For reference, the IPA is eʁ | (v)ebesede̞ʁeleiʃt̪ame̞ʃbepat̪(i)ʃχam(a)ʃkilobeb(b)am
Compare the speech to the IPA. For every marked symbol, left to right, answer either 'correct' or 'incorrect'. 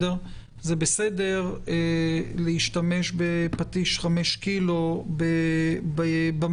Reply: incorrect, correct, incorrect, correct

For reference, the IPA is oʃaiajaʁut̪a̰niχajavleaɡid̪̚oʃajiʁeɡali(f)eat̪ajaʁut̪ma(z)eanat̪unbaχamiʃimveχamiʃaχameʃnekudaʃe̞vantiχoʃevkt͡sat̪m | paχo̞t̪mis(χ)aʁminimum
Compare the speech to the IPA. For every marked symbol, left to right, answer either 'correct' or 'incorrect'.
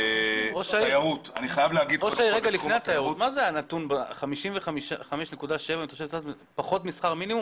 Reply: correct, correct, correct

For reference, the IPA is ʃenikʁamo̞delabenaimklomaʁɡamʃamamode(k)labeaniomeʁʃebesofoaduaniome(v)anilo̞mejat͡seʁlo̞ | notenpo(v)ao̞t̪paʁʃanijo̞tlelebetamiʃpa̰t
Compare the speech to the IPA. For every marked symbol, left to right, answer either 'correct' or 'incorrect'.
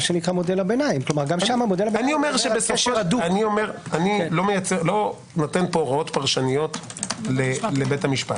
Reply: incorrect, incorrect, incorrect

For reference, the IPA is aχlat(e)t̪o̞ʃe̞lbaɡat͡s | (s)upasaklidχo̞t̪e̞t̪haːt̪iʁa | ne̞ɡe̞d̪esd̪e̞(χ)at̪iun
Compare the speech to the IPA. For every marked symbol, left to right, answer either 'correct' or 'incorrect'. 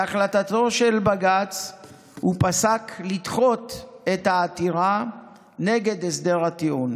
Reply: incorrect, incorrect, incorrect

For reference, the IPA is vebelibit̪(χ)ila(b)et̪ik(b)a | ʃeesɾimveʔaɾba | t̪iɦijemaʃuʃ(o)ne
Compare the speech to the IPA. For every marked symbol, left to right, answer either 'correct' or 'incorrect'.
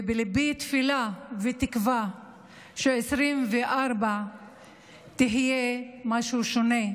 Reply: incorrect, incorrect, incorrect, correct

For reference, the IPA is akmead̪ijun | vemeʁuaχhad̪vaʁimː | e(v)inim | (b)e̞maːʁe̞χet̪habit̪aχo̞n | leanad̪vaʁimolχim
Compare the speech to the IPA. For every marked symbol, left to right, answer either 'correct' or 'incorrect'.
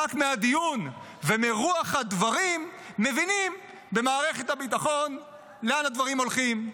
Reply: correct, correct

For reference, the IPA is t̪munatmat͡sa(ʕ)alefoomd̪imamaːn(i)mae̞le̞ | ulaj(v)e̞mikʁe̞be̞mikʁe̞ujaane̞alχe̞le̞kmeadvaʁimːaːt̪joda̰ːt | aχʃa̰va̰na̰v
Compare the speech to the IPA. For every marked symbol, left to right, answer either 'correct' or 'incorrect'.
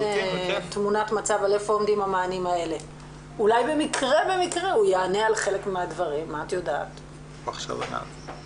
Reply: incorrect, correct, incorrect

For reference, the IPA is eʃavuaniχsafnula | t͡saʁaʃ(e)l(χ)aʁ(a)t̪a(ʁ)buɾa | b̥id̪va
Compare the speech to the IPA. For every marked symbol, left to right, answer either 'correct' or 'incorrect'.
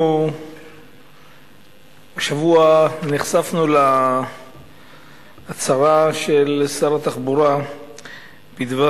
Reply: correct, incorrect, correct, incorrect

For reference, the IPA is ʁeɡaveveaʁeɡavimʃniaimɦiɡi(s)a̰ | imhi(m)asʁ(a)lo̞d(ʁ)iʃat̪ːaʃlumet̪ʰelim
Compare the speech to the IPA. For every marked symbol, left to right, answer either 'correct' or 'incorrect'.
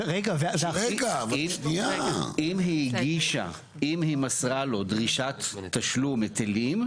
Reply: incorrect, correct, correct, correct

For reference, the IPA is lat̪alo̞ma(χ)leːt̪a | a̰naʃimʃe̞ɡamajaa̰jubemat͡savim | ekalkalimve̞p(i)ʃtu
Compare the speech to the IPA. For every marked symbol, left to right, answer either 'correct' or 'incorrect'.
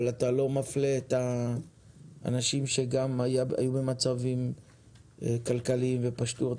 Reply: incorrect, incorrect

